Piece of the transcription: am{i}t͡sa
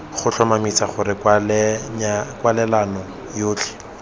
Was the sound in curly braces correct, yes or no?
yes